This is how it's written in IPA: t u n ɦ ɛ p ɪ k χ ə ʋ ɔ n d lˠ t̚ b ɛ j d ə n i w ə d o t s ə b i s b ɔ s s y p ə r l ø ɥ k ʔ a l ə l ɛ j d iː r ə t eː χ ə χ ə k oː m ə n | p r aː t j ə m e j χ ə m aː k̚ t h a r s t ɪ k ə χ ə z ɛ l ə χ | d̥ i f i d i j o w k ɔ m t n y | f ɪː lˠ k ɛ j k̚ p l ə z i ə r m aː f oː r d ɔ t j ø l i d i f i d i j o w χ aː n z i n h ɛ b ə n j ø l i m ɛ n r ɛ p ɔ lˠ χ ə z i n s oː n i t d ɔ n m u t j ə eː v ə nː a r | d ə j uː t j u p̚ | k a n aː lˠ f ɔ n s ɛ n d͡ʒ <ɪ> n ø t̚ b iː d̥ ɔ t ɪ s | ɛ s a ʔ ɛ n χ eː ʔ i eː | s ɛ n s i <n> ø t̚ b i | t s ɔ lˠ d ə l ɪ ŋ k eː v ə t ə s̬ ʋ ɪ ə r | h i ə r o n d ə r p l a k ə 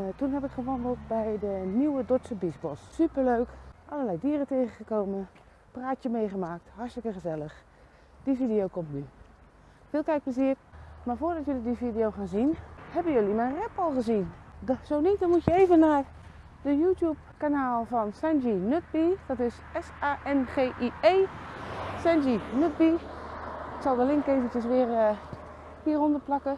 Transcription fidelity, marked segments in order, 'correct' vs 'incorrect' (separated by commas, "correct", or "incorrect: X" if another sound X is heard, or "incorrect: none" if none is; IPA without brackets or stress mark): incorrect: i, correct